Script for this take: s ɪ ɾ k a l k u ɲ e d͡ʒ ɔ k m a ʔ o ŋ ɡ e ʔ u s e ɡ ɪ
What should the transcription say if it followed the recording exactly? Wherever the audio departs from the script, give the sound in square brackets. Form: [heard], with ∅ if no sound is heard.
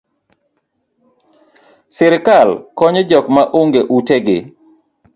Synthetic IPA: s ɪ ɾ k a l k [ɔ] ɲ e d͡ʒ ɔ k m a ʔ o ŋ ɡ e ʔ u [t] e ɡ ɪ